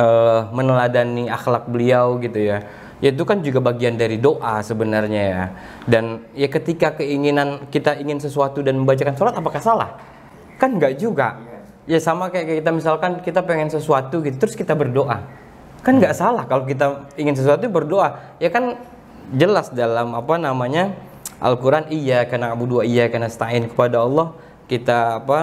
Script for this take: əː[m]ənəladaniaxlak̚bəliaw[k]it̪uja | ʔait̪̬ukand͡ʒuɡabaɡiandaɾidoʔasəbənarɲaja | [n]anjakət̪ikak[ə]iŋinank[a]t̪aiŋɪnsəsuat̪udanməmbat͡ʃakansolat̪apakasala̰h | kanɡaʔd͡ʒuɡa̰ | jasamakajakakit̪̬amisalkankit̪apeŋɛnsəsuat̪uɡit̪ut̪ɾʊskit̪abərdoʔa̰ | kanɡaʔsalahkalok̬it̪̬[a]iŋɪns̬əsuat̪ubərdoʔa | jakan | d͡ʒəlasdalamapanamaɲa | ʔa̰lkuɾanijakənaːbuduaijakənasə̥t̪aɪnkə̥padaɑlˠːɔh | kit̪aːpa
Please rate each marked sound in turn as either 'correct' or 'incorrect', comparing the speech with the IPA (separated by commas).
correct, incorrect, incorrect, correct, incorrect, correct